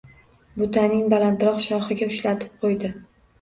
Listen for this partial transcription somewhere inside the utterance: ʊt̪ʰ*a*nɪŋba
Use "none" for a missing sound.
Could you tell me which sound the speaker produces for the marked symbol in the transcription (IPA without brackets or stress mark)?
a